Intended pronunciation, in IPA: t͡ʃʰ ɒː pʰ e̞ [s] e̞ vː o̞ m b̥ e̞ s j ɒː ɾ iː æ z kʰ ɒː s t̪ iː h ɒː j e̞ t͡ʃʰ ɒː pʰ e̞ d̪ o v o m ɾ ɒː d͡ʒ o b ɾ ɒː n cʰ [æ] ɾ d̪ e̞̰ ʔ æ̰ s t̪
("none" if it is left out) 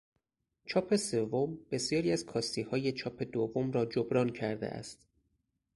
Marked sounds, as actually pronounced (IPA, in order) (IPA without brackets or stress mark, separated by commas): s, æ